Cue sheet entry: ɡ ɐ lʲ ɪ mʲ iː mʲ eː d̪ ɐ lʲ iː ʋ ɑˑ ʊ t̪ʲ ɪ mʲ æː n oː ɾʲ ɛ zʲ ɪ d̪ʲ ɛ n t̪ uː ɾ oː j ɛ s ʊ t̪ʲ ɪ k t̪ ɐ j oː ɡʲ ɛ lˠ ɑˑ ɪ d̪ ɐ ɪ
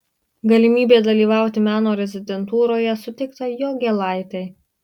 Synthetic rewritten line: ɡ ɐ lʲ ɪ mʲ iː bʲ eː d̪ ɐ lʲ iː ʋ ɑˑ ʊ t̪ʲ ɪ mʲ æː n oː ɾʲ ɛ zʲ ɪ d̪ʲ ɛ n t̪ uː ɾ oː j ɛ s ʊ t̪ʲ ɪ k t̪ ɐ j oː ɡʲ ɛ lˠ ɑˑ ɪ t̪ ɐ ɪ